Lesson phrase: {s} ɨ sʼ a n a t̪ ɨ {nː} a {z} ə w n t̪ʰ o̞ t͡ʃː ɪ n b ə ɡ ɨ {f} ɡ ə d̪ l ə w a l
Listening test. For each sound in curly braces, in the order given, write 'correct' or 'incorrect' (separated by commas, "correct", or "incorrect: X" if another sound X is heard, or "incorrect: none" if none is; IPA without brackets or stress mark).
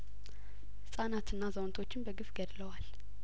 incorrect: h, correct, correct, correct